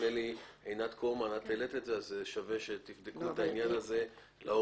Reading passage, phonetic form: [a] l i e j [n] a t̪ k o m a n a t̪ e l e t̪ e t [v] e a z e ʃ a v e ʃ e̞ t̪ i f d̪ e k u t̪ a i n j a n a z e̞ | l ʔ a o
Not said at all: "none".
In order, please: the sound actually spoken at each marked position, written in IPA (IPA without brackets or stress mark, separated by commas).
e, n, z